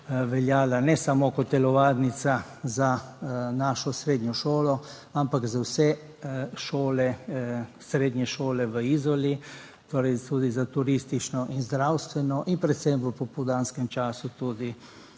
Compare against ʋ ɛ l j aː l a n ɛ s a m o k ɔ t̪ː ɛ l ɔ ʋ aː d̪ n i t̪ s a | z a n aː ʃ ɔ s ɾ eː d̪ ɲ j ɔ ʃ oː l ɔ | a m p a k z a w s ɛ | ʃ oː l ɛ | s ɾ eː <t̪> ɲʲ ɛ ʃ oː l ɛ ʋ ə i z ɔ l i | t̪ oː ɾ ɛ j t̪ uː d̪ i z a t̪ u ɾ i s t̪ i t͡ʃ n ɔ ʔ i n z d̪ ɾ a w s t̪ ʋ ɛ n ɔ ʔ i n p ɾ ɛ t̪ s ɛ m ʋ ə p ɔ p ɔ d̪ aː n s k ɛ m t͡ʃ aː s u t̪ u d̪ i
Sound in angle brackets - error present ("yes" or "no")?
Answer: yes